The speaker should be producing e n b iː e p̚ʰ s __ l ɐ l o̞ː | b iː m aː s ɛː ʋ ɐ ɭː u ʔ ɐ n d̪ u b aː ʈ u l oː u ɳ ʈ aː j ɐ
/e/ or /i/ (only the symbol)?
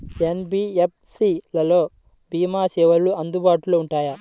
i